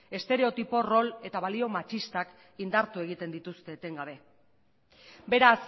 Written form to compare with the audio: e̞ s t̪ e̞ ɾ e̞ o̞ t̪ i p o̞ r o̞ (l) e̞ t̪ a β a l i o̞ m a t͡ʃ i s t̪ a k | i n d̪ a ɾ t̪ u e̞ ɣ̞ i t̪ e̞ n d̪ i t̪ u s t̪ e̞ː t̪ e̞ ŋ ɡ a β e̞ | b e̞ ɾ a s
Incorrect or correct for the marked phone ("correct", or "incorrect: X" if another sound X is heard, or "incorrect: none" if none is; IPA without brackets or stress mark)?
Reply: correct